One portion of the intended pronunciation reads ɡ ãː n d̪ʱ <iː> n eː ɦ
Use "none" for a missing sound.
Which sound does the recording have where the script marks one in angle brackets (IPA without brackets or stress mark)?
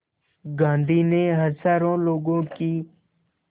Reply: iː